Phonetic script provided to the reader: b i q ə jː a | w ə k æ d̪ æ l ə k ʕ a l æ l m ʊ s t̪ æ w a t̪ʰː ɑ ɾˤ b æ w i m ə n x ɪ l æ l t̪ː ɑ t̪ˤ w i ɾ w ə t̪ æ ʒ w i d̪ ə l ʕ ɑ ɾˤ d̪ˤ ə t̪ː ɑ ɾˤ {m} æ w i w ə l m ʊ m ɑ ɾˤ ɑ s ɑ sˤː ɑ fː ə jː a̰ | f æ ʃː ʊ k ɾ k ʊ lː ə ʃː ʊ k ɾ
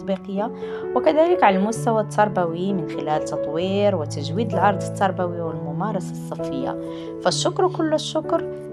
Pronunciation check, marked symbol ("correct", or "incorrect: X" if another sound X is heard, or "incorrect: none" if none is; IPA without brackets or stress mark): incorrect: b